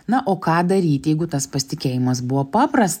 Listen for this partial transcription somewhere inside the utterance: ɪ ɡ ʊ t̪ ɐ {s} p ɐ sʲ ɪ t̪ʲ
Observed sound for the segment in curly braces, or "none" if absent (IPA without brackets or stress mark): s